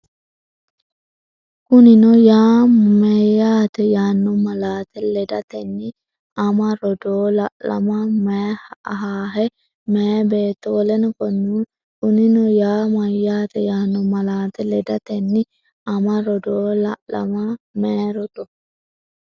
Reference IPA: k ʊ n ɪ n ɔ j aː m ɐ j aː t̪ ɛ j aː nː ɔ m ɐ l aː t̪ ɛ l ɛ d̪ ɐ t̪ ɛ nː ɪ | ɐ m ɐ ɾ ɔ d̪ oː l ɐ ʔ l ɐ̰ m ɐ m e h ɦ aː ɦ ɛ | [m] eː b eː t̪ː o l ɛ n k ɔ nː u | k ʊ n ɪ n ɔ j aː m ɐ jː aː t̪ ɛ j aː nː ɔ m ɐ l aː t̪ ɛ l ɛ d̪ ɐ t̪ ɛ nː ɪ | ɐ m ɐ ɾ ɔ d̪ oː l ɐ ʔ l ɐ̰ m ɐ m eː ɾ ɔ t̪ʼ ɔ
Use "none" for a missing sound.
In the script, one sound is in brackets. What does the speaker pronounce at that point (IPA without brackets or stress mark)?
m